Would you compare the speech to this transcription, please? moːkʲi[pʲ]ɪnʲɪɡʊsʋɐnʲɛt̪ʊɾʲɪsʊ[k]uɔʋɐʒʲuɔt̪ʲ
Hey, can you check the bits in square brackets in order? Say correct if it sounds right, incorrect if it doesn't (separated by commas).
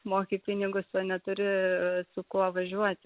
correct, correct